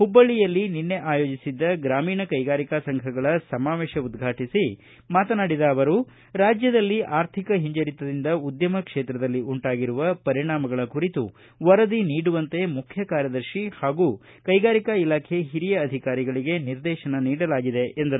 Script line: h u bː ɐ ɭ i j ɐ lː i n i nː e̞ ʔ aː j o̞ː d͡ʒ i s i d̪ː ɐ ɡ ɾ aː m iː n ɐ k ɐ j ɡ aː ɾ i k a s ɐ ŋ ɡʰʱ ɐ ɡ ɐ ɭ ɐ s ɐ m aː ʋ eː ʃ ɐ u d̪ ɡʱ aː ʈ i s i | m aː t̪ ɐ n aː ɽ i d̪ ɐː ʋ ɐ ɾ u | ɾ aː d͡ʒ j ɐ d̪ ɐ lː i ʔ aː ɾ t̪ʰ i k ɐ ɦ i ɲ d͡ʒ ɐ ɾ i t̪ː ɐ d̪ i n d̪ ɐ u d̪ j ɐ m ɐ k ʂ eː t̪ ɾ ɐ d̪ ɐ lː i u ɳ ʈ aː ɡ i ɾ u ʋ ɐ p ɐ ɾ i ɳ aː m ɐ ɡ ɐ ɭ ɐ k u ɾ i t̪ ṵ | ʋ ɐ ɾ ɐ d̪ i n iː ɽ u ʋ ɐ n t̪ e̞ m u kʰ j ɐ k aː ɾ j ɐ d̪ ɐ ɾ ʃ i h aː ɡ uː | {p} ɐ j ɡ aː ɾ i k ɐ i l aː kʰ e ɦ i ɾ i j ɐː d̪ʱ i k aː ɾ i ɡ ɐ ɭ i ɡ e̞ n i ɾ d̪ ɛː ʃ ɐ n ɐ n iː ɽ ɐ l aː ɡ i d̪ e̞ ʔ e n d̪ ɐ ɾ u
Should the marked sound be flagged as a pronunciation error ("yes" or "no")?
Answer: yes